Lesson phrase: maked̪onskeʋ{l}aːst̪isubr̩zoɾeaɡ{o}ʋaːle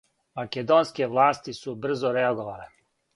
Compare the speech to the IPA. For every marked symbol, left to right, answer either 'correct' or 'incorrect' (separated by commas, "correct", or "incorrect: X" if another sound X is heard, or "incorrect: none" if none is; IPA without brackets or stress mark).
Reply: correct, correct